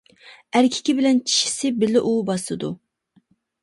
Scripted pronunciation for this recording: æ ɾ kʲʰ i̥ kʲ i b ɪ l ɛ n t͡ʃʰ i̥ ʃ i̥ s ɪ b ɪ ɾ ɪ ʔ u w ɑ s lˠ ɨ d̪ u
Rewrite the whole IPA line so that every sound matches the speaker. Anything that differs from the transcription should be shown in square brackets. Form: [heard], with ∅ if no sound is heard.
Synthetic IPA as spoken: æ ɾ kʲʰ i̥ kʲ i b ɪ l ɛ n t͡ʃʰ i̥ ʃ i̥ s ɪ b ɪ [l] ɪ ʔ u [b] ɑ s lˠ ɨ d̪ u

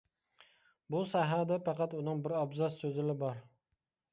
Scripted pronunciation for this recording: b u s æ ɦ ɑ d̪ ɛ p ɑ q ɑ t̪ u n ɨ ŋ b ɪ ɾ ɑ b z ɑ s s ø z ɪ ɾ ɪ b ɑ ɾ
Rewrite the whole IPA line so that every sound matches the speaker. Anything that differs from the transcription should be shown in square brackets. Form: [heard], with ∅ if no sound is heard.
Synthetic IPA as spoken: b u s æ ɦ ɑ d̪ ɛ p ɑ q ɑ t̪ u n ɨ ŋ b ɪ ɾ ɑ b z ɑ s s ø z ɪ [l] ɪ b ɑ ɾ

